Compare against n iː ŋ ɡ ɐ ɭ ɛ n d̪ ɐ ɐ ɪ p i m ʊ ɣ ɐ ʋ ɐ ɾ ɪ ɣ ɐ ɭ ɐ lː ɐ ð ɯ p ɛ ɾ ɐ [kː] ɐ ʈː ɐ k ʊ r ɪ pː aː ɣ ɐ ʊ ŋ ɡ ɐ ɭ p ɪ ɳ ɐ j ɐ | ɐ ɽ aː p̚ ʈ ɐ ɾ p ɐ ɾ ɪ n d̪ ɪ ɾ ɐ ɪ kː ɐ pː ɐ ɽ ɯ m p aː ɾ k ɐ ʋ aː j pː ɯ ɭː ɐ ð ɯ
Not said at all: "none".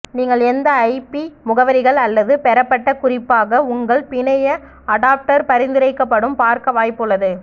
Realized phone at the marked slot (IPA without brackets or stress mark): pː